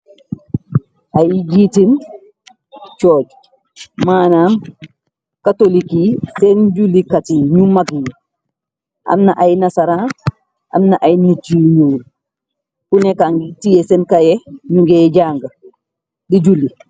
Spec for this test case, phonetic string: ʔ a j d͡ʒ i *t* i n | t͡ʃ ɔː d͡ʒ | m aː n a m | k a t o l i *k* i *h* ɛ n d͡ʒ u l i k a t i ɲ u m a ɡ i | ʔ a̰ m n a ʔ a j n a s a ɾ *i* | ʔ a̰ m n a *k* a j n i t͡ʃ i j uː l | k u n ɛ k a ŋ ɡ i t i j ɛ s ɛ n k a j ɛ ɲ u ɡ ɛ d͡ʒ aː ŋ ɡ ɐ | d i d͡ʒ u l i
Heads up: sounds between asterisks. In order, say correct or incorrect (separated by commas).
correct, correct, incorrect, incorrect, incorrect